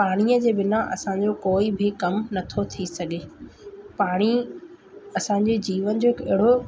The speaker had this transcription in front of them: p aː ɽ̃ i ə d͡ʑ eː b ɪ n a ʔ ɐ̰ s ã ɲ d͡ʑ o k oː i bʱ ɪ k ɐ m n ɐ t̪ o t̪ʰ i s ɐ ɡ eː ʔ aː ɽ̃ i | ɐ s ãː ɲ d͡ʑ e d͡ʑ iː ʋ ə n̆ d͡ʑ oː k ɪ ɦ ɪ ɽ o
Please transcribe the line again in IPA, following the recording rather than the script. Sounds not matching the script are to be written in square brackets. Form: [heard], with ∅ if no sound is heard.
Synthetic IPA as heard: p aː ɽ̃ i ə d͡ʑ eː b ɪ n a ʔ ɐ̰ s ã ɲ d͡ʑ o k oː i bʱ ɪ k ɐ m n ɐ [t̪ʰ] o t̪ʰ i s ɐ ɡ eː [p] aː ɽ̃ i | ɐ s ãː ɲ d͡ʑ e d͡ʑ iː ʋ ə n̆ d͡ʑ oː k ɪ ɦ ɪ ɽ o

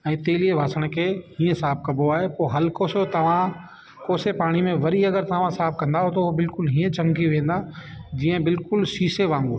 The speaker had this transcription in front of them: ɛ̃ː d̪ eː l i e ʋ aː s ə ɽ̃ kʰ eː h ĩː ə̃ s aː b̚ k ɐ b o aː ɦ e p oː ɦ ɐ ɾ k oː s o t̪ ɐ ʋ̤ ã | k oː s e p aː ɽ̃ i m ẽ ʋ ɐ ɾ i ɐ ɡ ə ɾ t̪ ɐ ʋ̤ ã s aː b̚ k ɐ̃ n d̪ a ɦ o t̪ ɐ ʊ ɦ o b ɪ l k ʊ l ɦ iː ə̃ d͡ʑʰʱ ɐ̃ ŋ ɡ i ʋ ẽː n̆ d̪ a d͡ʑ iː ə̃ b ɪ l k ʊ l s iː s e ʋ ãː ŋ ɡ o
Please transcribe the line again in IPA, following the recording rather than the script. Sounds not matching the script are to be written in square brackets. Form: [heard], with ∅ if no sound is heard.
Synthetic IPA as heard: ɛ̃ː [t̪] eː l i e ʋ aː s ə ɽ̃ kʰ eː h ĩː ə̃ s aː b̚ k ɐ b o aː ɦ e p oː ɦ ɐ [l] k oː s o t̪ ɐ ʋ̤ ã | k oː s e p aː ɽ̃ i m ẽ ʋ ɐ ɾ i ɐ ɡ ə ɾ t̪ ɐ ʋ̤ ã s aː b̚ k ɐ̃ n d̪ a ɦ o t̪ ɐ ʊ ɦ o b ɪ l k ʊ l ɦ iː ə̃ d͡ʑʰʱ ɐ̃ ŋ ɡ i ʋ ẽː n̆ d̪ a d͡ʑ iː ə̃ b ɪ l k ʊ l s iː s e ʋ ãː ŋ ɡ o

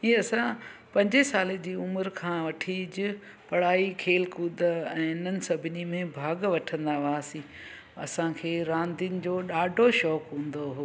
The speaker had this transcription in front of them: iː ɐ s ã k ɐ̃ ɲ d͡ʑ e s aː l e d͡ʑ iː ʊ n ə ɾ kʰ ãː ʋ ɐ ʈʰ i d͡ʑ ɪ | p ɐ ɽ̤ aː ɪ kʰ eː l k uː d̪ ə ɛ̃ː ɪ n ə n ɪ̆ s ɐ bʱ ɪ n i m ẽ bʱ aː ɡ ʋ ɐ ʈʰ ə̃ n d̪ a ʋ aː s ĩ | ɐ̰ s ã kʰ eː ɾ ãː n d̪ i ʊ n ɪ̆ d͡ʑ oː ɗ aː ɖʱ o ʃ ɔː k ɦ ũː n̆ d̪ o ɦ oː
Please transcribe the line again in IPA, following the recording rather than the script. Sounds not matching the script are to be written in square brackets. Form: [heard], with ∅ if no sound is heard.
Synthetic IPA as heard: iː ɐ s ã [p] ɐ̃ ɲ d͡ʑ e s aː l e d͡ʑ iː ʊ [m] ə ɾ kʰ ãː ʋ ɐ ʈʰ i d͡ʑ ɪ | p ɐ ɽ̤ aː [i] kʰ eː l k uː d̪ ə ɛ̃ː ɪ n ə n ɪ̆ s ɐ bʱ ɪ n i m ẽ bʱ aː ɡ ʋ ɐ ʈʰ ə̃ n d̪ a ʋ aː s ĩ | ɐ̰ s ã kʰ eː ɾ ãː n d̪ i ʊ n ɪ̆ d͡ʑ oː ɗ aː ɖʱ o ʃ ɔː k ɦ ũː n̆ d̪ o ɦ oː

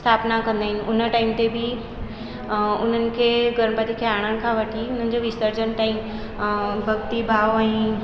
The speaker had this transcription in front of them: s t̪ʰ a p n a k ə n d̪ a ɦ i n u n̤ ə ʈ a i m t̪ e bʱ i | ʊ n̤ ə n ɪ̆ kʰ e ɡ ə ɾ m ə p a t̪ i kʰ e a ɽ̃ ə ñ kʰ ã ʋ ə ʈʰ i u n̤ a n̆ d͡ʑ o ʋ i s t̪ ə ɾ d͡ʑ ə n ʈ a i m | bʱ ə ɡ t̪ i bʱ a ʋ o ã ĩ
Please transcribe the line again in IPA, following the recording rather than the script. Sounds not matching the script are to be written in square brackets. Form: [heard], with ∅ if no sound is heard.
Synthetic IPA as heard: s t̪ʰ a p n a k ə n d̪ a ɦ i n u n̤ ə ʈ a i m t̪ e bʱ i | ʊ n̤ ə n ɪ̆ kʰ e ɡ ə ɾ m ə p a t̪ i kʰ e a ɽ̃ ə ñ kʰ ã ʋ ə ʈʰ i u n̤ [ə] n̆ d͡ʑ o ʋ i s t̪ ə ɾ d͡ʑ ə n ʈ a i m | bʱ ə ɡ t̪ i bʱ a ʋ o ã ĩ

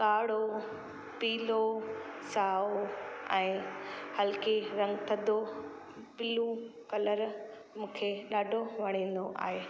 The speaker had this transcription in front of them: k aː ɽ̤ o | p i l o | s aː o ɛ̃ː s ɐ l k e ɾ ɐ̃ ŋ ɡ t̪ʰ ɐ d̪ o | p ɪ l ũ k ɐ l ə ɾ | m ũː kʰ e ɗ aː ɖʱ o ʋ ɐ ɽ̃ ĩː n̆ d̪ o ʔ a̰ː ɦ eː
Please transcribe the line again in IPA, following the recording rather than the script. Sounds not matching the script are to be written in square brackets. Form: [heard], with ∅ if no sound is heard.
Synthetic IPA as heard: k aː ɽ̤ o | p [iː] l o | s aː o ɛ̃ː [h] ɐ l k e ɾ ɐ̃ ŋ ɡ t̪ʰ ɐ d̪ o | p ɪ l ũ k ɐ l ə ɾ | m ũː kʰ e ɗ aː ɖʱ o ʋ ɐ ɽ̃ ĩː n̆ d̪ o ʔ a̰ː ɦ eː

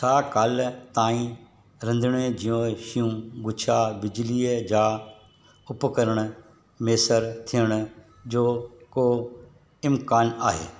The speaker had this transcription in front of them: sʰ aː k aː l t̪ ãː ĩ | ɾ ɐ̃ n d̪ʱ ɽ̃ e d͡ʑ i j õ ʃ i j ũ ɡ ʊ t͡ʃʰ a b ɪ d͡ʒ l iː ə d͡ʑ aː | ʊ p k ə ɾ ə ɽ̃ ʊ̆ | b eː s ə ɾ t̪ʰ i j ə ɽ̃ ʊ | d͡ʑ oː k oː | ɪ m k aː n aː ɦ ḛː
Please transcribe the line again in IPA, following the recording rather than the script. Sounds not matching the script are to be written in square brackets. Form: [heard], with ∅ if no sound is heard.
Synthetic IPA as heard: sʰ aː k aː l t̪ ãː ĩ | ɾ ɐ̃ n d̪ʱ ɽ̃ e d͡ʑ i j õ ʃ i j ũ ɡ ʊ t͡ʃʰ a b ɪ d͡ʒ l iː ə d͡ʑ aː | ʊ p k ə ɾ ə ɽ̃ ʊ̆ | [m] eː s ə ɾ t̪ʰ i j ə ɽ̃ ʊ | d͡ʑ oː k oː | ɪ m k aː n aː ɦ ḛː

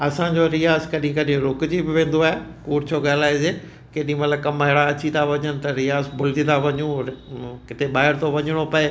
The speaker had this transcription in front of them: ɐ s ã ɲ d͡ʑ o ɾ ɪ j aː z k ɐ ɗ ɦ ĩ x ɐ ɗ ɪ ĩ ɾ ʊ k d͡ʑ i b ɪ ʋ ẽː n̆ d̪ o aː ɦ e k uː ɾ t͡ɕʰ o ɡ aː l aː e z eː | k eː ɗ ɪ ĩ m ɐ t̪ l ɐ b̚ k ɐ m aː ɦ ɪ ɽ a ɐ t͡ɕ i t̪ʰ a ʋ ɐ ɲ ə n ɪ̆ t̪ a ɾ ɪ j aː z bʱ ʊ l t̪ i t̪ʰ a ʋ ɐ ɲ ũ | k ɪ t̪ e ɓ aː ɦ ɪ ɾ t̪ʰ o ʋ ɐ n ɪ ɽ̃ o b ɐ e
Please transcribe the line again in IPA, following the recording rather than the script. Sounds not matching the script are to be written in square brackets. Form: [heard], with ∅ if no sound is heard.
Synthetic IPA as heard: ɐ s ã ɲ d͡ʑ o ɾ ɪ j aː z k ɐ ɗ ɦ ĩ [k] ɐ ɗ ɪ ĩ ɾ ʊ k d͡ʑ i b ɪ ʋ ẽː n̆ d̪ o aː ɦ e k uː ɾ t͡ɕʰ o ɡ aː l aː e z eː | k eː ɗ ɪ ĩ m ɐ t̪ l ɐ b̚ k ɐ m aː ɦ ɪ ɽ a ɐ t͡ɕ i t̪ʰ a ʋ ɐ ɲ ə n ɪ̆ t̪ [ɐ] ɾ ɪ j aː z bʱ ʊ l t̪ i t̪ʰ a ʋ ɐ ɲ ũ | k ɪ t̪ e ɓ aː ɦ ɪ ɾ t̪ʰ o ʋ ɐ [ɲ] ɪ ɽ̃ o [p] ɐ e

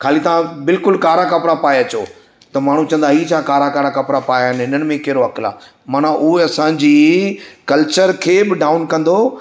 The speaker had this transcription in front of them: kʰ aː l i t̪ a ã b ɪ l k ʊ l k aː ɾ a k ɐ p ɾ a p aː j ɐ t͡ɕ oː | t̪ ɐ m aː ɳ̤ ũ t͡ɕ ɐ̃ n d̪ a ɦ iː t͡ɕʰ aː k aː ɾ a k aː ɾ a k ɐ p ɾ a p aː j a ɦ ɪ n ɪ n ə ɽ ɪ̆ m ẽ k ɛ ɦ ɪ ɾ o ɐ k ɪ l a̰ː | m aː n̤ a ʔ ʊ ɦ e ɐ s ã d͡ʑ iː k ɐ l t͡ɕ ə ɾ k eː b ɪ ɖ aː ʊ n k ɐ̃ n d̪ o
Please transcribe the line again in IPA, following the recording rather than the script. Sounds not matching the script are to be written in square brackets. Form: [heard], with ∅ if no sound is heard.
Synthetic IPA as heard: kʰ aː l i t̪ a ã b ɪ l k ʊ l k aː ɾ a k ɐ p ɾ a p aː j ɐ t͡ɕ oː | t̪ ɐ m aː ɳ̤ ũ t͡ɕ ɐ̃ n d̪ a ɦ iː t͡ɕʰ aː k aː ɾ a k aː ɾ a k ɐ p ɾ a p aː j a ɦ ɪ n ɪ n ə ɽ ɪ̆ m ẽ k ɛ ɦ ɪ ɾ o ɐ k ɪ l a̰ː | m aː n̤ a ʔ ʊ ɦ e ɐ s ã d͡ʑ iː k ɐ l t͡ɕ ə ɾ [kʰ] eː b ɪ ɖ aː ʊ n k ɐ̃ n d̪ o

